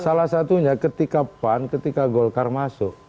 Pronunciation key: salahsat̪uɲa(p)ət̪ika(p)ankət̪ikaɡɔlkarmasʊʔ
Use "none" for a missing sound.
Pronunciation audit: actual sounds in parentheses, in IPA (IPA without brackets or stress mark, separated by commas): k, p